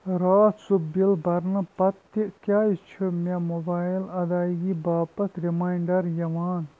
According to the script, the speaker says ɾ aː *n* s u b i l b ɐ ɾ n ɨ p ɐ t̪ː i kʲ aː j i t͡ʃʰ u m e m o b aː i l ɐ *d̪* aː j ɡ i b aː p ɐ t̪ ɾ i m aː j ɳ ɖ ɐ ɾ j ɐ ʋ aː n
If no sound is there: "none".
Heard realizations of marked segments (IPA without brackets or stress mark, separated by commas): none, d̪